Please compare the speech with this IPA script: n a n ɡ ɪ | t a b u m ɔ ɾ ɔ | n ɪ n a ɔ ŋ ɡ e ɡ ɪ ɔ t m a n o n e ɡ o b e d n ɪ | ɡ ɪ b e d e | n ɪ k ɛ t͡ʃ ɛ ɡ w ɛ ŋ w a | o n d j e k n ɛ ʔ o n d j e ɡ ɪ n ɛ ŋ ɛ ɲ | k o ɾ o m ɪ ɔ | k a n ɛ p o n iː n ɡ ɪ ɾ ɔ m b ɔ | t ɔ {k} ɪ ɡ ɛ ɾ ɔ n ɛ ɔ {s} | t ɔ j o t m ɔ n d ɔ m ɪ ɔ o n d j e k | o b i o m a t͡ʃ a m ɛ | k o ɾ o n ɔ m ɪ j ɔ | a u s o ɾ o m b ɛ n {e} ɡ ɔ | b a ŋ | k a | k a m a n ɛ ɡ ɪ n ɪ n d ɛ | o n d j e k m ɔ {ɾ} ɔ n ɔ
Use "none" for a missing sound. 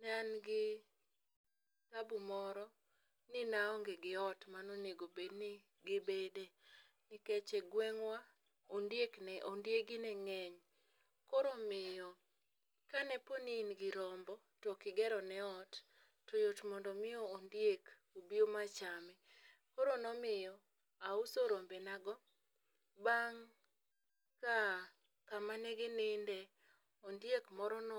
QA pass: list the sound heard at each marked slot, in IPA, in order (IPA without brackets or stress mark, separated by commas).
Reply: k, t, a, ɾ